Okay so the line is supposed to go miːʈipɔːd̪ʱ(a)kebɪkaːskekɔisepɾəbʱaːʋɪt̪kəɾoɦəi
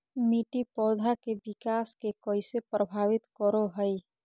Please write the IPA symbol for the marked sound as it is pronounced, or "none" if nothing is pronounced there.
a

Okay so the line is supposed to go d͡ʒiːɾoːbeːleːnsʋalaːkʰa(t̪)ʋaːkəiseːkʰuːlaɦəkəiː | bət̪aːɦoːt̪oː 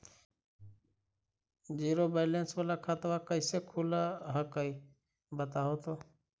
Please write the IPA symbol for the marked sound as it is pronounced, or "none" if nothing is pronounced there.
t̪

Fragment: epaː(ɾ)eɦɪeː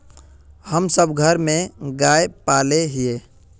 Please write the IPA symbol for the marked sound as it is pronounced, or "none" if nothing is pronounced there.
l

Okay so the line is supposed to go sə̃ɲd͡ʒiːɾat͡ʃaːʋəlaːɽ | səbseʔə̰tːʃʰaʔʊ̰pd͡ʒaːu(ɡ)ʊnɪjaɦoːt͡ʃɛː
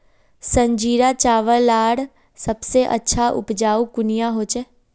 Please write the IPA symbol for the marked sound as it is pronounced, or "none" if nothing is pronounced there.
k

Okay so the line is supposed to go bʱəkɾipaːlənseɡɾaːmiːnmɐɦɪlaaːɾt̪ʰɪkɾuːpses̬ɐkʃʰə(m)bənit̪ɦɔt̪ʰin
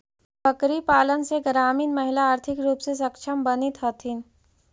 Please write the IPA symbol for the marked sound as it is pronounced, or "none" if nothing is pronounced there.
m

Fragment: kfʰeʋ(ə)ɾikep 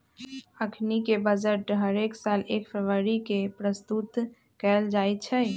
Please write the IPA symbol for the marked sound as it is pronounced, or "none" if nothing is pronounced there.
ə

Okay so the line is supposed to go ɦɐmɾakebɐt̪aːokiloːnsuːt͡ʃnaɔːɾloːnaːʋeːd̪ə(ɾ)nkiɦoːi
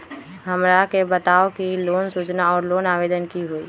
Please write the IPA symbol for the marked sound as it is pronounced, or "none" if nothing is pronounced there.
none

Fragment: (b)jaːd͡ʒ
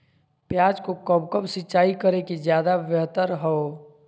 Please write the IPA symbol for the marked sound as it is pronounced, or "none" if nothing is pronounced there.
p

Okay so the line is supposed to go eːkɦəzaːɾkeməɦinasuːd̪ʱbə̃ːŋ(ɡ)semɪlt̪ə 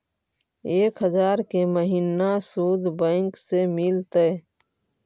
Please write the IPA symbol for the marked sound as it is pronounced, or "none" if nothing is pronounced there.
k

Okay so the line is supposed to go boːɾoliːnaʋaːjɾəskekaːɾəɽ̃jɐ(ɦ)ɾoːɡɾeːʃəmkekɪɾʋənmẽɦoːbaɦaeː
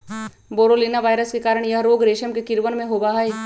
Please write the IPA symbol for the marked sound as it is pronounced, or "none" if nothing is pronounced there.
ɦ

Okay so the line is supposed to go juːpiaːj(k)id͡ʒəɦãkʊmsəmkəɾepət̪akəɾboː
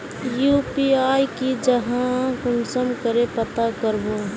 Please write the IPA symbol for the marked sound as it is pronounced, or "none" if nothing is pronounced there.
k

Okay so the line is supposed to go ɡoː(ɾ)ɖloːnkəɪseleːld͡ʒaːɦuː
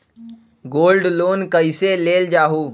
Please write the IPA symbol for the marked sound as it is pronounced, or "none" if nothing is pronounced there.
l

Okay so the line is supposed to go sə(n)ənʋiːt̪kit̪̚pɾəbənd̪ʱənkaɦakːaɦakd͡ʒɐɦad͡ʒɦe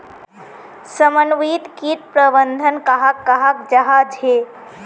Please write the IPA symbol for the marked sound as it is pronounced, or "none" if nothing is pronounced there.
m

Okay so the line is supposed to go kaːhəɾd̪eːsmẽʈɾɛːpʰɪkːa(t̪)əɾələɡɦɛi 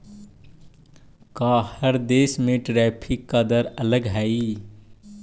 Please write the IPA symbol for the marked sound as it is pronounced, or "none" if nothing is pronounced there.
d̪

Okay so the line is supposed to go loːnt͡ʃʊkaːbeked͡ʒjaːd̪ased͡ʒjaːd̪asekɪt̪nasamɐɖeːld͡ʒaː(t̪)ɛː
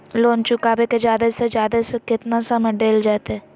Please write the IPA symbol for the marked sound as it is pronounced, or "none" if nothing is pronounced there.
t̪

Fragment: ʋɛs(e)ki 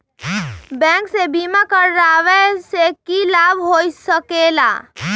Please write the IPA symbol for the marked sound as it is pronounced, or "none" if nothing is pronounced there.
e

